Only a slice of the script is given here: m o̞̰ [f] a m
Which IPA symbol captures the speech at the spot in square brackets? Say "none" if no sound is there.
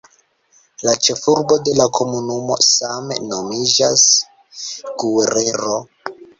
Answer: s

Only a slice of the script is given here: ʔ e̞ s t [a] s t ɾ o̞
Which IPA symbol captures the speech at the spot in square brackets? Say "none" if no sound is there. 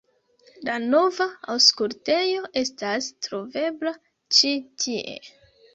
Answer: a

